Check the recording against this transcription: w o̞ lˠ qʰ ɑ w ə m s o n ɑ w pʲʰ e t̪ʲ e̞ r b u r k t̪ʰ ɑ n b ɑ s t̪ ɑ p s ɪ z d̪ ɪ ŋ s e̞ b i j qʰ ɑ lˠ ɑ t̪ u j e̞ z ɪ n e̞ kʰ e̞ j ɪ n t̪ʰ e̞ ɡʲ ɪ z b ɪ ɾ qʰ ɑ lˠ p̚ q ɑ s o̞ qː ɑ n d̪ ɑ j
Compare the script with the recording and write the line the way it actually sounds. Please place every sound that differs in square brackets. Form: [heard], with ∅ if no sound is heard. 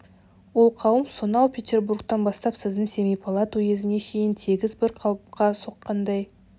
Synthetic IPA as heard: w o̞ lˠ qʰ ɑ w ə m s o n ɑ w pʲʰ e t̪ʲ e̞ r b u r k [t̪] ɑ n b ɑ s t̪ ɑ p s ɪ z d̪ ɪ ŋ s e̞ [m] i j [pʰ] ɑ lˠ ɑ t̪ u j e̞ z ɪ n e̞ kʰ e̞ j ɪ n t̪ʰ e̞ ɡʲ ɪ z b ɪ ɾ qʰ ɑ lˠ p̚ q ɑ s o̞ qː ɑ n d̪ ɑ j

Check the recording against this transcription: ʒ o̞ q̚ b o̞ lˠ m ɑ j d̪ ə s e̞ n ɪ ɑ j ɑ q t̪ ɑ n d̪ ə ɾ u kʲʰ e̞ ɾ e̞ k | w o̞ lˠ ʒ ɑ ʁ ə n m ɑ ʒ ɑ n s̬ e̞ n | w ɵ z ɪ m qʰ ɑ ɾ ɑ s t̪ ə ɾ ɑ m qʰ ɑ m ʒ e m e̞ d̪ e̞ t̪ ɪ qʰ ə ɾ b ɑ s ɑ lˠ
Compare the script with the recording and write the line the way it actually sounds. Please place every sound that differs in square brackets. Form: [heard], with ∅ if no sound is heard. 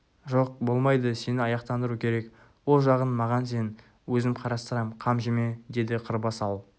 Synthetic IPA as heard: ʒ o̞ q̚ b o̞ lˠ m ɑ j d̪ ə s e̞ n ɪ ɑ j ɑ q t̪ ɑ n d̪ ə ɾ u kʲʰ e̞ ɾ e̞ k | w o̞ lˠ ʒ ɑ ʁ ə n m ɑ [ʁ] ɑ n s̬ e̞ n | w ɵ z ɪ m qʰ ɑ ɾ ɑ s t̪ ə ɾ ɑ m qʰ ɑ m ʒ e m e̞ d̪ e̞ [d̪] ɪ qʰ ə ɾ b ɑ s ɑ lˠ

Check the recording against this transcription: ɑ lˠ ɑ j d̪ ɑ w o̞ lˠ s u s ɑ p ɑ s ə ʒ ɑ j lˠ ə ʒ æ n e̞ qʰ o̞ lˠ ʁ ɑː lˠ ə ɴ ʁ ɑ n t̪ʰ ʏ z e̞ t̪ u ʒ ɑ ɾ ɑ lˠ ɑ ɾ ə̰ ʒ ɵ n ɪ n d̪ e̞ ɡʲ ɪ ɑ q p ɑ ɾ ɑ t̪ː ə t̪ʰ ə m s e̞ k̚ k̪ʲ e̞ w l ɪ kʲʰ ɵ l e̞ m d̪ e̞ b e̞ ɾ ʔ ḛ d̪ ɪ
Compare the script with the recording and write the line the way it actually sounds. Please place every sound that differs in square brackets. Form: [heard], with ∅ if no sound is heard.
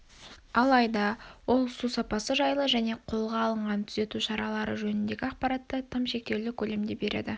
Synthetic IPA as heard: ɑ lˠ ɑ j d̪ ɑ w o̞ lˠ s u s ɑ p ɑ s ə ʒ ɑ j lˠ ə ʒ æ n e̞ qʰ o̞ lˠ ʁ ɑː lˠ ə ɴ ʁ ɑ n t̪ʰ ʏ z e̞ t̪ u [ʃ] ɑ ɾ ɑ lˠ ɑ ɾ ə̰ ʒ ɵ n ɪ n d̪ e̞ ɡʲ ɪ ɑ q p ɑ ɾ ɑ t̪ː ə t̪ʰ ə m [ʃ] e̞ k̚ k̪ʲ e̞ w l ɪ kʲʰ ɵ l e̞ m d̪ e̞ b e̞ ɾ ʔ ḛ d̪ ɪ

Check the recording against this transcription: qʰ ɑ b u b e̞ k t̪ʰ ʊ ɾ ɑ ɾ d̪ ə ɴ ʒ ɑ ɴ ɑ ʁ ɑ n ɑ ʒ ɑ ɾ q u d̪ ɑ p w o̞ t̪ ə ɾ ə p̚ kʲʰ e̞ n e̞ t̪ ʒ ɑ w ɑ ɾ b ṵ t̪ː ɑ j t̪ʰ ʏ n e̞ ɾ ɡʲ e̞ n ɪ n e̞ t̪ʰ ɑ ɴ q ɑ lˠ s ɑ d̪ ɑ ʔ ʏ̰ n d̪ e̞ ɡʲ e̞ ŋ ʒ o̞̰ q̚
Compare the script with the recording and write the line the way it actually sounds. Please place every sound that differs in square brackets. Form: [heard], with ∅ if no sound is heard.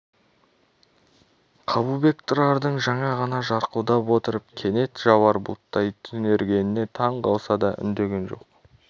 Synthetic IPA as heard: qʰ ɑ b u b e̞ k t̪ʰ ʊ ɾ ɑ ɾ d̪ ə ɴ ʒ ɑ ɴ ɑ ʁ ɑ n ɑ ʒ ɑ ɾ q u d̪ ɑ p w o̞ t̪ ə ɾ ə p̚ kʲʰ e̞ n e̞ t̪ ʒ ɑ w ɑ ɾ b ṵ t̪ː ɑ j t̪ʰ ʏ n e̞ ɾ ɡʲ e̞ n ɪ n e̞ t̪ʰ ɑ ɴ q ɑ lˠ s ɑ d̪ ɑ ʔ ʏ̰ n d̪ e̞ ɡʲ e̞ [n] ʒ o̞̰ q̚

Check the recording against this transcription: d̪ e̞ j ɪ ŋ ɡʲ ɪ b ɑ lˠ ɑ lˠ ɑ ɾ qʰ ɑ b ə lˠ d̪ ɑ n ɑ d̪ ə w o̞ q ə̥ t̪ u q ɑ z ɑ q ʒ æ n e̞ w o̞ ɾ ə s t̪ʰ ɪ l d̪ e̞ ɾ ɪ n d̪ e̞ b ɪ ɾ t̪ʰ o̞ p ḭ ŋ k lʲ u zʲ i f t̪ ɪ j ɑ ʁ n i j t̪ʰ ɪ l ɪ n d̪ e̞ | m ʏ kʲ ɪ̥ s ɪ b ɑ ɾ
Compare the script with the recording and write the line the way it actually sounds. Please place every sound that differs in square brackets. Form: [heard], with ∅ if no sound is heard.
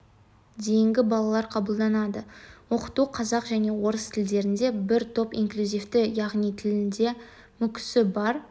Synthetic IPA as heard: d̪ e̞ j ɪ ŋ ɡʲ ɪ b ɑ lˠ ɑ lˠ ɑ ɾ qʰ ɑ b ə lˠ d̪ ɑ n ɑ d̪ ə w o̞ q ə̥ t̪ u [qʰ] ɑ z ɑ q ʒ æ n e̞ w o̞ ɾ ə s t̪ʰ ɪ l d̪ e̞ ɾ ɪ n d̪ e̞ b ɪ ɾ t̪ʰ o̞ p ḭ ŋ k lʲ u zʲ i f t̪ ɪ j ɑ ʁ n i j t̪ʰ ɪ l ɪ n d̪ e̞ | m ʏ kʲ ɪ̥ s ɪ b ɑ ɾ

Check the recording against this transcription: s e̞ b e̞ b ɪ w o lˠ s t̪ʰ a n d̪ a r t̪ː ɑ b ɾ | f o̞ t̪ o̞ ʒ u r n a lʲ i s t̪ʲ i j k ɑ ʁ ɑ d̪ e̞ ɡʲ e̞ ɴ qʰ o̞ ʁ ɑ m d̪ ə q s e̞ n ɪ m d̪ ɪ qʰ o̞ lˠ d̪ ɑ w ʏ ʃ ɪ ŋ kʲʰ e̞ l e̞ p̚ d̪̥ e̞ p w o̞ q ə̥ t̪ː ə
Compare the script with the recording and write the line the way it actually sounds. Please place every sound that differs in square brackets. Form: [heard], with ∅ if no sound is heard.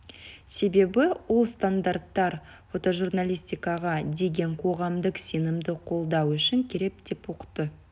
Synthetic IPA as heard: s e̞ b e̞ b ɪ w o lˠ s [t̪] a n d̪ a r t̪ː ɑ [∅] ɾ | f o̞ t̪ o̞ ʒ u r n a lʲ i s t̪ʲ i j k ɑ ʁ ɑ d̪ e̞ ɡʲ e̞ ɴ qʰ o̞ ʁ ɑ m d̪ ə q s e̞ n ɪ m d̪ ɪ qʰ o̞ lˠ d̪ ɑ w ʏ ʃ ɪ ŋ kʲʰ e̞ [ɾ] e̞ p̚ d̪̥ e̞ p w o̞ q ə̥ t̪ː ə

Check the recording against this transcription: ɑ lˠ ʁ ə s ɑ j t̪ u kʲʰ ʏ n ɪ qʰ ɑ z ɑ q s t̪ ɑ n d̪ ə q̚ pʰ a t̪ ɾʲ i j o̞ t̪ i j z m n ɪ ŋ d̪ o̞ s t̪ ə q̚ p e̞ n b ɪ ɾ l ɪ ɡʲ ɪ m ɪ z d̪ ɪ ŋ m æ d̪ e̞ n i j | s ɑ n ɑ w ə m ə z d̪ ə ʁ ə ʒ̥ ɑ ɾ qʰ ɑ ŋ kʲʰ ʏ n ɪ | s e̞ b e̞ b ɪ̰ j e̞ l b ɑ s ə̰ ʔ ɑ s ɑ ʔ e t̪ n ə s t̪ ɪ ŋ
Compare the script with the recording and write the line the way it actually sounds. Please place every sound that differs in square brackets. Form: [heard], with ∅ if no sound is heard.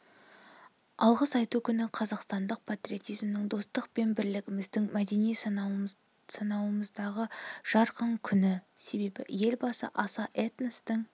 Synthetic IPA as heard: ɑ lˠ ʁ ə s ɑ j t̪ u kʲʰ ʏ n ɪ qʰ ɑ z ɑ q s t̪ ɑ n d̪ ə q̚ pʰ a t̪ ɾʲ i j o̞ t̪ i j z m n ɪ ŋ d̪ o̞ s t̪ ə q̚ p e̞ n b ɪ ɾ l ɪ ɡʲ ɪ m ɪ z d̪ ɪ ŋ m æ d̪ e̞ n i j | s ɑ n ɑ w ə m ə z d̪ [ɑ] ʁ ə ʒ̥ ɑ ɾ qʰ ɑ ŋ kʲʰ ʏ n ɪ | s e̞ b e̞ b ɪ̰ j e̞ l b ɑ s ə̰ ʔ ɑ s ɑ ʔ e t̪ n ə s t̪ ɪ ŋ

